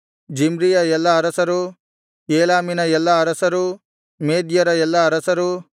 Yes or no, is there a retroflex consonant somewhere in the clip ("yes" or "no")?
no